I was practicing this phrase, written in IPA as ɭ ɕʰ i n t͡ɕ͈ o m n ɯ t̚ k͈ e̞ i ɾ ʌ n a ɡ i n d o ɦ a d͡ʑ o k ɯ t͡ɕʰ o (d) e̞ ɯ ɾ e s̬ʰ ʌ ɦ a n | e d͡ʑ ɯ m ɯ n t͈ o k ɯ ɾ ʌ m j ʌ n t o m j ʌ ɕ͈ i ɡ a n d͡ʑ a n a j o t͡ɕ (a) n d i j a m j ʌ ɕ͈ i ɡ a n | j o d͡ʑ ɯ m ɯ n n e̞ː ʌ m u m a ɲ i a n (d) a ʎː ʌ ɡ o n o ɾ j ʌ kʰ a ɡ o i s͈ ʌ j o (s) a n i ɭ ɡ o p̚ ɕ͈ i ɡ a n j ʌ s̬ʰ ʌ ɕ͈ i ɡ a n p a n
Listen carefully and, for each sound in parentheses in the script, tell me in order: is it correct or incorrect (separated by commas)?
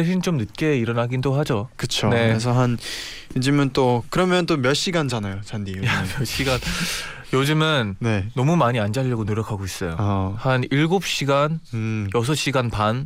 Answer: incorrect, correct, incorrect, incorrect